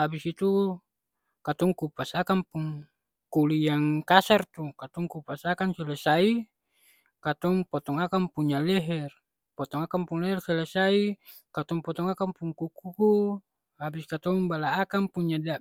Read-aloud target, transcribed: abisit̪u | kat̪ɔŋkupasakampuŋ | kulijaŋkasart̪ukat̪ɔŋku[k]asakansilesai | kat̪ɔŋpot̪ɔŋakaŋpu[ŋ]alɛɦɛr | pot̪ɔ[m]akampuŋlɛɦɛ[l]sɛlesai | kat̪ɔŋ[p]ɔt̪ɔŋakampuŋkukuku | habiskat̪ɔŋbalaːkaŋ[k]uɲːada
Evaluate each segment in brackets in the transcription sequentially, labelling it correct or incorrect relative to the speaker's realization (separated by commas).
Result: incorrect, incorrect, incorrect, incorrect, correct, incorrect